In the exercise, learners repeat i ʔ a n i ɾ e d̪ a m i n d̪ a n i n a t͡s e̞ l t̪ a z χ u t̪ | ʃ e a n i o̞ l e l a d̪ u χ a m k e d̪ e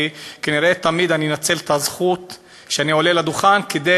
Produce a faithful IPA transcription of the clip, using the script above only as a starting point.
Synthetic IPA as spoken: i k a n i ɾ e t̪ a m i d̪ a n i n a t͡s e̞ l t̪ a z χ u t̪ | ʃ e a n i o̞ l e l a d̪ u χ a n k e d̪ e